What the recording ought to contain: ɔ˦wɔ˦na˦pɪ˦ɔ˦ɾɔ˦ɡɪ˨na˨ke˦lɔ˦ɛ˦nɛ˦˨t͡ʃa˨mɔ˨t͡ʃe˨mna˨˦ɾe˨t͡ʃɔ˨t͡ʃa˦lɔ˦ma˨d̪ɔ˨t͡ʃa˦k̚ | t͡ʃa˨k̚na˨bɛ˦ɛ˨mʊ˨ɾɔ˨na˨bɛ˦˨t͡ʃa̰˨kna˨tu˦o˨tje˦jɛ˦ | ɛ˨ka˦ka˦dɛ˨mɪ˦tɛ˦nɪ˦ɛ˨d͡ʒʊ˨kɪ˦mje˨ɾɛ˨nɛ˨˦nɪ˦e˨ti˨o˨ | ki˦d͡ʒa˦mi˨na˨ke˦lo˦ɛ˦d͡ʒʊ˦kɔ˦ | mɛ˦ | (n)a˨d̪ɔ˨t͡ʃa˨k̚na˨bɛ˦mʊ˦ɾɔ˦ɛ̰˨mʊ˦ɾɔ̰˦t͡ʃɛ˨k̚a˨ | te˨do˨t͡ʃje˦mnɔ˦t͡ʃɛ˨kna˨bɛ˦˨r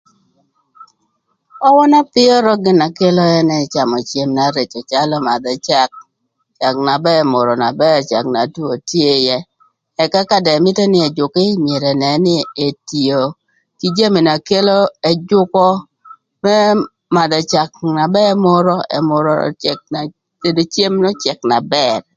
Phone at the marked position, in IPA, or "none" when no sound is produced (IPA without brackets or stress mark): m